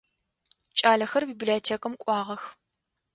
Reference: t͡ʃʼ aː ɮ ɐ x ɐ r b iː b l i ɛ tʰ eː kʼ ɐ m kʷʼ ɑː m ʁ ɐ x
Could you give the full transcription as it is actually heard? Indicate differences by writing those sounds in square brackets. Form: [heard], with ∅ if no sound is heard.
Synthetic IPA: t͡ʃʼ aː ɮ ɐ x ɐ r b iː b l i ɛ tʰ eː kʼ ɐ m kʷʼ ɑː [∅] ʁ ɐ x